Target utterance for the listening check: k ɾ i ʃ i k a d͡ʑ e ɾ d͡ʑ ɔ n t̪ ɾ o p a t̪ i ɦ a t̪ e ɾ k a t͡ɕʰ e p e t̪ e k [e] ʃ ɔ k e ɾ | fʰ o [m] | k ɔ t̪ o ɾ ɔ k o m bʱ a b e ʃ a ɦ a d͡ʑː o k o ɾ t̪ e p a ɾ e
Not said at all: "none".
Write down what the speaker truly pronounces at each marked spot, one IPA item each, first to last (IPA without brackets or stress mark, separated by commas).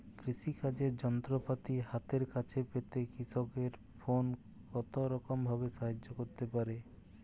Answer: i, n